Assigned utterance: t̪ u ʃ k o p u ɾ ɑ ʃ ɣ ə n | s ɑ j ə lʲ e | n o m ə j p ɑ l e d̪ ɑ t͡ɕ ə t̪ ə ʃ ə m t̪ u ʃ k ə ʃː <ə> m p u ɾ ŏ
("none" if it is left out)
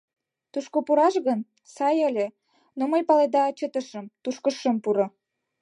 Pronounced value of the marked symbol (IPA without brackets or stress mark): ə